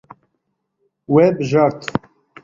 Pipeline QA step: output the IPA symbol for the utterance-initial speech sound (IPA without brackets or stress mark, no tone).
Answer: w